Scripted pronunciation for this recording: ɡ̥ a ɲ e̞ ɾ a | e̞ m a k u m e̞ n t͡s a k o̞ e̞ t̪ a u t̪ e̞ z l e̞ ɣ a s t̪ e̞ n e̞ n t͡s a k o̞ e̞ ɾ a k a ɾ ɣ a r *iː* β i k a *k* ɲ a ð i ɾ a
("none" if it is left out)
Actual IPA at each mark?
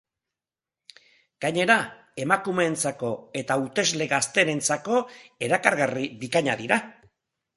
i, none

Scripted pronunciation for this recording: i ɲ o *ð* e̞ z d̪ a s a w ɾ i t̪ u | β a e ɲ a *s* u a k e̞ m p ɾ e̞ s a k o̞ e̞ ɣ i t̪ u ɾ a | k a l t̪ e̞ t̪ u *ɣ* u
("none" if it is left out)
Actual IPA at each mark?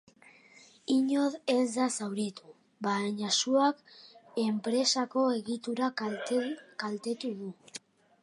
ð, s, ð

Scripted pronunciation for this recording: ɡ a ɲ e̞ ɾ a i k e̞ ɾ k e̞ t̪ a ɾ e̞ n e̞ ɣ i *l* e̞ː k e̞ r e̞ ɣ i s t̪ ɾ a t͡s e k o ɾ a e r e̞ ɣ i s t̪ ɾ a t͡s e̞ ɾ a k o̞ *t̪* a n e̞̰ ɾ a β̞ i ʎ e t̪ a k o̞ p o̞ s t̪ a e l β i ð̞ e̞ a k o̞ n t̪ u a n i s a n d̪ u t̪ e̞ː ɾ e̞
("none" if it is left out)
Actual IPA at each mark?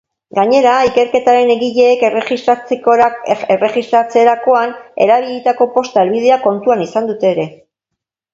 ʎ, none

